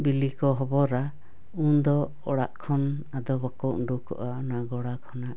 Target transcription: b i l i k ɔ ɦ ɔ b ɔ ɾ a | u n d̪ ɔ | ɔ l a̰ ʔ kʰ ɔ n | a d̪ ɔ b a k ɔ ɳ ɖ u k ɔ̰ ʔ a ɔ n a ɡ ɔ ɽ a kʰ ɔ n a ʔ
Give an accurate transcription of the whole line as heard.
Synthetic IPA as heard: b i l i k ɔ ɦ ɔ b ɔ ɾ a | u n d̪ ɔ | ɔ ɽ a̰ ʔ kʰ ɔ n | a d̪ ɔ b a k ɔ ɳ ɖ u k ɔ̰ ʔ a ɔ n a ɡ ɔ ɽ a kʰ ɔ n a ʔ

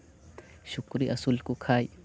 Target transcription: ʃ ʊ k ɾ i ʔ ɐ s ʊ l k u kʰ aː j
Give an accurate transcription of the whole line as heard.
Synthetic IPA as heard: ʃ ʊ k ɾ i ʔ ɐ s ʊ l k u kʰ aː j

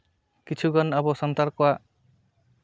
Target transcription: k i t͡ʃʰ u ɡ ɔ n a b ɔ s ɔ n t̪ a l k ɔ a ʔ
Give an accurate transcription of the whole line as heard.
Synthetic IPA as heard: k i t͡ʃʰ u ɡ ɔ n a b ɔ s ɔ n t̪ a ɾ k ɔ a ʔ

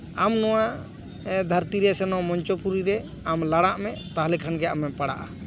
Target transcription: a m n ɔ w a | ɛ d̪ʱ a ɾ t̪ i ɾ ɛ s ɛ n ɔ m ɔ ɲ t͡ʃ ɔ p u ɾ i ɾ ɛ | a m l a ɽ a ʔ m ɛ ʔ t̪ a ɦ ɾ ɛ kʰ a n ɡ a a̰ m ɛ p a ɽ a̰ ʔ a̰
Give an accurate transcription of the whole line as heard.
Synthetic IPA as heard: a m n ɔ w a | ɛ d̪ʱ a ɾ t̪ i ɾ ɛ s ɛ n ɔ m ɔ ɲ t͡ʃ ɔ p u ɾ i ɾ ɛ | a m l a ɽ a ʔ m ɛ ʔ t̪ a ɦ l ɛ kʰ a n ɡ ɛ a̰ m ɛ p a ɽ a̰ ʔ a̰

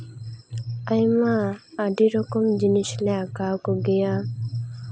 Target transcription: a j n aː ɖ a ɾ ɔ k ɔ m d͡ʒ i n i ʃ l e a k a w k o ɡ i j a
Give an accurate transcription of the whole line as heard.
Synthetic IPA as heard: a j m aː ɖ i ɾ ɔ k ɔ m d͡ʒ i n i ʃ l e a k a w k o ɡ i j a

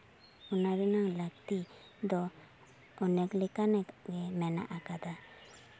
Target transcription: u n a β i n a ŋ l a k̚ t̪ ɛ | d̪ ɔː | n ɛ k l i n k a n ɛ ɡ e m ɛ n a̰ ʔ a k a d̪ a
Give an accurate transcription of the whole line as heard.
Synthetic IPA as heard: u n a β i n a ŋ l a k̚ t̪ i | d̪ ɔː | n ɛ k l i k a n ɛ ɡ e m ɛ n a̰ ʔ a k a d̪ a

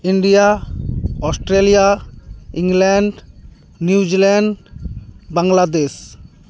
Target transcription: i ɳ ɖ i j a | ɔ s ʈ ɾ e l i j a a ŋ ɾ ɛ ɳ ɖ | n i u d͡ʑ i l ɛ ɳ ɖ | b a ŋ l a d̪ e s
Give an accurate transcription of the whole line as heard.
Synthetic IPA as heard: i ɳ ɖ i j a | ɔ s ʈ ɾ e l i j a i ŋ l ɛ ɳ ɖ | n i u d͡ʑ i l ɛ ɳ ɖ | b a ŋ l a d̪ e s

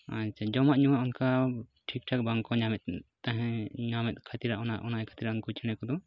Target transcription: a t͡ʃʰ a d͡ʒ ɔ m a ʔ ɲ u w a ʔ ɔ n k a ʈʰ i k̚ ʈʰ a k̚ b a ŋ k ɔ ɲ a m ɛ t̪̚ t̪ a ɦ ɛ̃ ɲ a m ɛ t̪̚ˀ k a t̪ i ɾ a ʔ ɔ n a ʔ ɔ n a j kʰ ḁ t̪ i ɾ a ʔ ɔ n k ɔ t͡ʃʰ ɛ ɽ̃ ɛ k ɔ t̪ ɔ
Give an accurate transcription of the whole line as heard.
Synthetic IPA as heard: a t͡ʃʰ a d͡ʒ ɔ m a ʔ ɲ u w a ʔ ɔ n k a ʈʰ i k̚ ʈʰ a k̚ b a ŋ k ɔ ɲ a m ɛ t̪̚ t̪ a ɦ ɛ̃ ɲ a m ɛ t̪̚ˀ kʰ a t̪ i ɾ a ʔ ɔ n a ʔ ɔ n a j kʰ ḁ t̪ i ɾ a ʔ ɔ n k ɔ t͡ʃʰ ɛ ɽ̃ ɛ k ɔ d̪ ɔ

